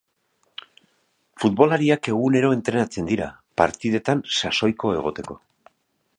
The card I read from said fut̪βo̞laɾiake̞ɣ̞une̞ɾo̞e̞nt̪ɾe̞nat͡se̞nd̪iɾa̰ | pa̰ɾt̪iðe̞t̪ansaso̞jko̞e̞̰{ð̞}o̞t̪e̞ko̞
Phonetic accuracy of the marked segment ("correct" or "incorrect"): incorrect